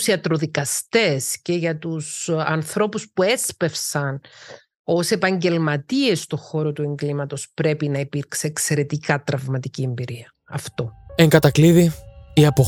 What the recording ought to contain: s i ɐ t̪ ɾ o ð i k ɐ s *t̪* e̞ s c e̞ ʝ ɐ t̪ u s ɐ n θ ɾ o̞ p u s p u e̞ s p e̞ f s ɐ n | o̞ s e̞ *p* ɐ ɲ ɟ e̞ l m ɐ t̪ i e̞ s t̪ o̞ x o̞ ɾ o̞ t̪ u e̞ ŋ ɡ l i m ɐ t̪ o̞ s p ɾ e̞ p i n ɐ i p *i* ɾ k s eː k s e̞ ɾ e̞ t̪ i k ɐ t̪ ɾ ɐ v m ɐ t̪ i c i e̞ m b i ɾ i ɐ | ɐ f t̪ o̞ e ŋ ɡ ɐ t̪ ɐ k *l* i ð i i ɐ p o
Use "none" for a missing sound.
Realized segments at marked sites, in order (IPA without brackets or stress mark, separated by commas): t̪, p, i, l